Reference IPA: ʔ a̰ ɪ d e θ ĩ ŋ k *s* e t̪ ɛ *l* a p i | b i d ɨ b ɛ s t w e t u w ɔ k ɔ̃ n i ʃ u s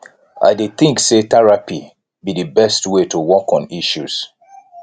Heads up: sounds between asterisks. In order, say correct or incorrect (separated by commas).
correct, incorrect